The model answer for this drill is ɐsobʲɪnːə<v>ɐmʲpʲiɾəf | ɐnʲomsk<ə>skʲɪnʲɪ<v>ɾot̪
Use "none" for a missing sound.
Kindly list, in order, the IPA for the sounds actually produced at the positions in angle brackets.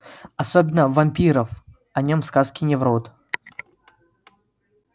v, a, v

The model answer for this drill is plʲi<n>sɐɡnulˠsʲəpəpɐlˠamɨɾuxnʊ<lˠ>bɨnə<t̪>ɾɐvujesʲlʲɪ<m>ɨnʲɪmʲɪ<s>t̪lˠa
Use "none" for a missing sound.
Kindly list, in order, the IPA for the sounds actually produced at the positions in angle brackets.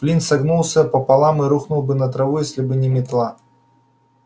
n, lˠ, t̪, b, none

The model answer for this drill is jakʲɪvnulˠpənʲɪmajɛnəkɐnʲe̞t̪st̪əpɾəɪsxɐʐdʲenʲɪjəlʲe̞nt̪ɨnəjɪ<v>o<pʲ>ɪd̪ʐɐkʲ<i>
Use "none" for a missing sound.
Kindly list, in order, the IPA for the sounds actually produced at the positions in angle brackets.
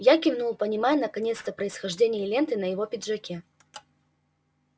v, pʲ, e

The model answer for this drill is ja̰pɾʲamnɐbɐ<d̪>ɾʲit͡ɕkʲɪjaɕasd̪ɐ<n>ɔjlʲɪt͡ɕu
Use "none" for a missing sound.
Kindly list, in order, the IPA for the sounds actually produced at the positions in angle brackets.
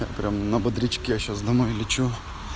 d̪, m

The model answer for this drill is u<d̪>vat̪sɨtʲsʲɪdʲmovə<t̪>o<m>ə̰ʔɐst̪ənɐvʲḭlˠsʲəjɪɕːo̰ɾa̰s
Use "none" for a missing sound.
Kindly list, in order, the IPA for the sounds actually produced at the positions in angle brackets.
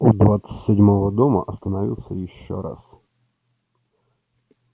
d̪, d̪, m

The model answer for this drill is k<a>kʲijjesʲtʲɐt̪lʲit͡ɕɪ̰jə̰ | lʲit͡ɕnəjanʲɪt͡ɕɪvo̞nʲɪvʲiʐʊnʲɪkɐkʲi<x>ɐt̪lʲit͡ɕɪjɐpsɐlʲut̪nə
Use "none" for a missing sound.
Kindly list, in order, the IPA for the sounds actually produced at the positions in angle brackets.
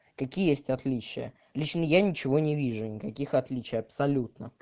ɐ, x

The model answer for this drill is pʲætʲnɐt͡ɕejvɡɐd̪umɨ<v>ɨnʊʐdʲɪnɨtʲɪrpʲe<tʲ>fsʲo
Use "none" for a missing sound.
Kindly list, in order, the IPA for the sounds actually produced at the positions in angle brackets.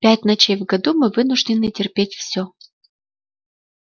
v, tʲ

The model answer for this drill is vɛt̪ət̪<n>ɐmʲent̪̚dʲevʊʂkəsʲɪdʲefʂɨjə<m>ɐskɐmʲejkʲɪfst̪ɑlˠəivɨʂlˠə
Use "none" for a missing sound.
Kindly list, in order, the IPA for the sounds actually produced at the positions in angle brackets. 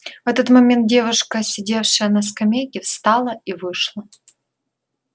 m, n

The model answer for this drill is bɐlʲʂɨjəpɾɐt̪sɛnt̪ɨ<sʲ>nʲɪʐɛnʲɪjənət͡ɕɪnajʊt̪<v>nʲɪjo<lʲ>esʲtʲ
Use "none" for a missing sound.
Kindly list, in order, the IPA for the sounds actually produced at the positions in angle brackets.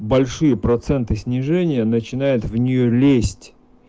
sʲ, v, lʲ

